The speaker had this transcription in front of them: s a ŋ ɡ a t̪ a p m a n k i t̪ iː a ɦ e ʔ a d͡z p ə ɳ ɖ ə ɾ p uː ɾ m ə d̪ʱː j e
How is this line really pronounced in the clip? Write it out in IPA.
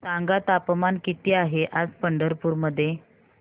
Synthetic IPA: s a ŋ ɡ a t̪ a p m a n k i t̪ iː a ɦ e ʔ a d͡z p ə ɳ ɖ ə ɾ p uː ɾ m ə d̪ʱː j e